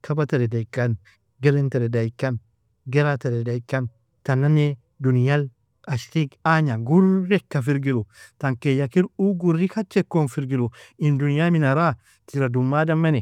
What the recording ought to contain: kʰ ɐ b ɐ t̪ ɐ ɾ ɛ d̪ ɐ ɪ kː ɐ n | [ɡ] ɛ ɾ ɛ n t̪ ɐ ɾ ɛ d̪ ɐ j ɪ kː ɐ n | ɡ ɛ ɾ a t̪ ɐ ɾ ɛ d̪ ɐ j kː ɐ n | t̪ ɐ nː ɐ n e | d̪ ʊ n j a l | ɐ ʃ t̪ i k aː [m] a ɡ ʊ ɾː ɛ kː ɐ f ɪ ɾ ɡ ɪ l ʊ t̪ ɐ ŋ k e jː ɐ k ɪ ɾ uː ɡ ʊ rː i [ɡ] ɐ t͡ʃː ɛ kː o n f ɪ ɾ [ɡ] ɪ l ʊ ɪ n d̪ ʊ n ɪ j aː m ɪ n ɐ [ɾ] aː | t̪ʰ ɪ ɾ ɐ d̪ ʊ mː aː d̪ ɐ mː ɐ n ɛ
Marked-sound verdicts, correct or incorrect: correct, incorrect, incorrect, correct, correct

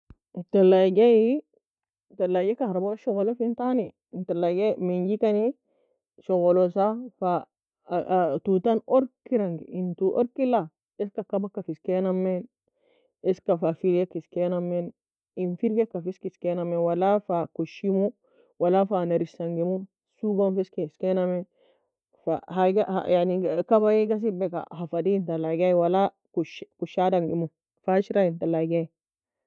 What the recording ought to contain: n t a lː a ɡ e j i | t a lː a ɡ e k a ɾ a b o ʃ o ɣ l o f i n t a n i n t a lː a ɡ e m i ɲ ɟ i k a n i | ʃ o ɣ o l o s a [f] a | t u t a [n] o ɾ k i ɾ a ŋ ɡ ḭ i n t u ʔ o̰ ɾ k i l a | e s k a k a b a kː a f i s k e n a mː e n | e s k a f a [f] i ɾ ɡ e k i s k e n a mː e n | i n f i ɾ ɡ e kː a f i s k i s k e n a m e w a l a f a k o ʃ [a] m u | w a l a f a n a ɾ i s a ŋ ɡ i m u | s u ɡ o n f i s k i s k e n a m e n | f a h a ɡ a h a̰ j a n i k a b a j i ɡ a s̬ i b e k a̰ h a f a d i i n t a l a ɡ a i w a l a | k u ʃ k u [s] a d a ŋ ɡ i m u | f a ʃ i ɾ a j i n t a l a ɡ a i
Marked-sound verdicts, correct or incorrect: correct, correct, correct, incorrect, incorrect

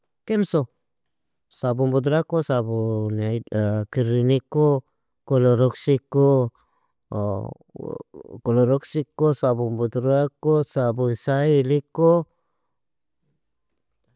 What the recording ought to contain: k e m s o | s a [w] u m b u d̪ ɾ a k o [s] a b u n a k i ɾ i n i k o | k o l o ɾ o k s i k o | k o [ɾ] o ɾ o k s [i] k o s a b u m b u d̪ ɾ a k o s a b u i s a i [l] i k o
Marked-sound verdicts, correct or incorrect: incorrect, correct, incorrect, correct, correct

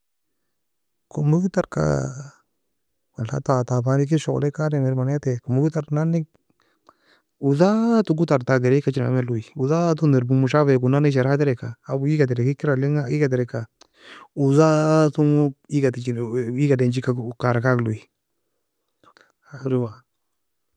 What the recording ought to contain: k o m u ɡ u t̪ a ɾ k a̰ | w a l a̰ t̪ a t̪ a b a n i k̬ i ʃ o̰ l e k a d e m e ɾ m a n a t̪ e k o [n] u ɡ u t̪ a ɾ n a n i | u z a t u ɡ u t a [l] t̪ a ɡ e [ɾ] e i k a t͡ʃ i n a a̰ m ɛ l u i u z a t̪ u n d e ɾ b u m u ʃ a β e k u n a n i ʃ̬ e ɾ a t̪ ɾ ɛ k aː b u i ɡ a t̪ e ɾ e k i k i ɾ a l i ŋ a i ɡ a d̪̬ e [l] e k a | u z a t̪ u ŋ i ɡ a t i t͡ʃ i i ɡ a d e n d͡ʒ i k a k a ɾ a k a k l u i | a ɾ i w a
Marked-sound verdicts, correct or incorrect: incorrect, incorrect, correct, incorrect

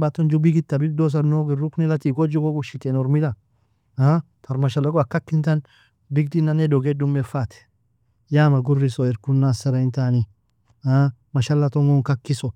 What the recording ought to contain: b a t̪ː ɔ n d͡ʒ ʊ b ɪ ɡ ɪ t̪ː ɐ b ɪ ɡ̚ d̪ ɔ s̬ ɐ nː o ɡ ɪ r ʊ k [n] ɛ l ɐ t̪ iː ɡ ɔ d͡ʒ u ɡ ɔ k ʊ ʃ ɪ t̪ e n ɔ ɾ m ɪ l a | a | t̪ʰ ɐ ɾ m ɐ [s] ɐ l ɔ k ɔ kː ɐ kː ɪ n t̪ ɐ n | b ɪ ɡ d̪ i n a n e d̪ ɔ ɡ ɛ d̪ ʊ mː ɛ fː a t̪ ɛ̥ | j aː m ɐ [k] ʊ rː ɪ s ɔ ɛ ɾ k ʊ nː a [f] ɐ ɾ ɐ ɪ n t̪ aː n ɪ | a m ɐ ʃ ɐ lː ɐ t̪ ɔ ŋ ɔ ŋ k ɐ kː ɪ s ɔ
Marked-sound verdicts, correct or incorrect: correct, incorrect, incorrect, incorrect

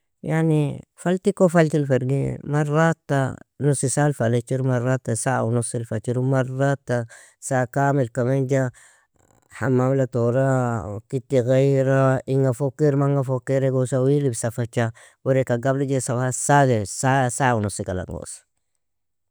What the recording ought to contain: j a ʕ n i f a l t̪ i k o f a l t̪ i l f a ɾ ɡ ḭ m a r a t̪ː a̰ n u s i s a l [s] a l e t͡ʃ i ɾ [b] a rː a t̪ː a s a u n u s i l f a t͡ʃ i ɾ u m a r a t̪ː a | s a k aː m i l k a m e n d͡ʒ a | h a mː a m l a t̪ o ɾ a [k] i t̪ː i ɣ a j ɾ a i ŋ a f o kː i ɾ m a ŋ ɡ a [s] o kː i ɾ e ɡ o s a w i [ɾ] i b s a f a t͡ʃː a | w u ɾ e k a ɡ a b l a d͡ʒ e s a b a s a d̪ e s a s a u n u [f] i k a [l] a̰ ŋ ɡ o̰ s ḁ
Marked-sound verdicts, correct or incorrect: incorrect, incorrect, correct, incorrect, incorrect, incorrect, correct

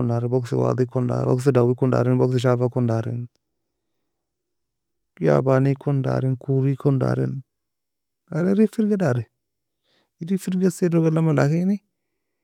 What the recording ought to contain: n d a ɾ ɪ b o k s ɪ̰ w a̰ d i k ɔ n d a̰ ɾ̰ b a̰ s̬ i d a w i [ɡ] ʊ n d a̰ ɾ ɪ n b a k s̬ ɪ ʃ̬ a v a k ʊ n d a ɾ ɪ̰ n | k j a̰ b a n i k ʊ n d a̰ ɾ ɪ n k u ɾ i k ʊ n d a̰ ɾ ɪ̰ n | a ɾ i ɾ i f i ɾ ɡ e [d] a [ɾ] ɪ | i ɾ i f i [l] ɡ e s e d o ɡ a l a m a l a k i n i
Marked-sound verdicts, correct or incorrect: incorrect, correct, correct, incorrect

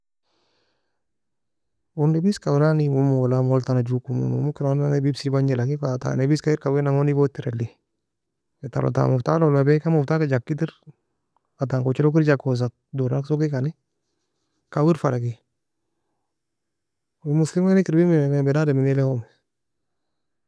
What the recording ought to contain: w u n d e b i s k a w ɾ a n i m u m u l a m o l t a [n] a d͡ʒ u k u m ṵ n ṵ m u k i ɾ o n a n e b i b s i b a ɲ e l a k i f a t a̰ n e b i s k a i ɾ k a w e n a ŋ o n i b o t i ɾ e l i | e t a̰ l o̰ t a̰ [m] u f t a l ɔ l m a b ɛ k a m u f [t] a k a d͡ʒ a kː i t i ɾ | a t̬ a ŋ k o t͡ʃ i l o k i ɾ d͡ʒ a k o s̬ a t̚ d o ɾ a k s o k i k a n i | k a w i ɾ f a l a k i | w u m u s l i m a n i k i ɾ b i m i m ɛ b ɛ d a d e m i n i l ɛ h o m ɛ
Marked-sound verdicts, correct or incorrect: correct, correct, correct

